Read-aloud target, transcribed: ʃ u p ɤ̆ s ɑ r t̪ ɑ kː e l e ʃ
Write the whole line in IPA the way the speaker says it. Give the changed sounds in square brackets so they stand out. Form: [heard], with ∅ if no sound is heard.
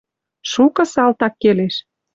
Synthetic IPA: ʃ u [k] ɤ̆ s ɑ [l] t̪ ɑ kː e l e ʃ